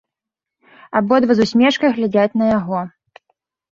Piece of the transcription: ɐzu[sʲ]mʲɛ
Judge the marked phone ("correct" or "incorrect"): correct